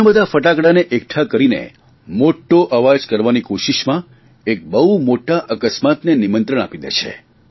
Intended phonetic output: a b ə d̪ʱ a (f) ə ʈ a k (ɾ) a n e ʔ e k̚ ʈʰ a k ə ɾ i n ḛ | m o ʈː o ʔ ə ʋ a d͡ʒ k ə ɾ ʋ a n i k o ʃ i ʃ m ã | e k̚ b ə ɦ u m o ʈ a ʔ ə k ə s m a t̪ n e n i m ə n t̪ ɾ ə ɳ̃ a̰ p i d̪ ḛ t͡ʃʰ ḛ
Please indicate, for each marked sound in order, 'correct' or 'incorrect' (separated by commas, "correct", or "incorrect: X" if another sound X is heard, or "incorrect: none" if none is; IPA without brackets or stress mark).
correct, incorrect: ɽ